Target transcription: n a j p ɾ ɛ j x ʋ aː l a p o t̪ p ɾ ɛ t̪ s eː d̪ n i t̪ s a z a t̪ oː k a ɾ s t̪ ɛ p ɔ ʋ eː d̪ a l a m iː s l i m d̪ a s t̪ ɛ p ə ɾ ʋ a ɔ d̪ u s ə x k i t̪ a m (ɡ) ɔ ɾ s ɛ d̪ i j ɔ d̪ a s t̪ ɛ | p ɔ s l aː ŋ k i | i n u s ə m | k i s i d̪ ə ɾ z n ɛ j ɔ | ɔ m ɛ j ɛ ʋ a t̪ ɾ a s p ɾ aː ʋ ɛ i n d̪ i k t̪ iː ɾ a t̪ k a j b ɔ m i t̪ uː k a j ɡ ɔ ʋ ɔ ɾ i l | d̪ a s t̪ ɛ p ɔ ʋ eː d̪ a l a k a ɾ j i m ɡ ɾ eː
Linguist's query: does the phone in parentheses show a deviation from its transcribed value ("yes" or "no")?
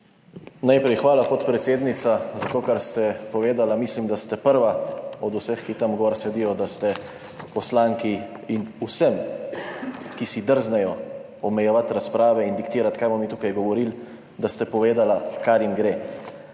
no